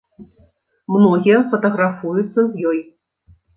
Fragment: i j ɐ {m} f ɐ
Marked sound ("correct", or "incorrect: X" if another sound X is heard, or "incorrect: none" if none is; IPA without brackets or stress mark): incorrect: none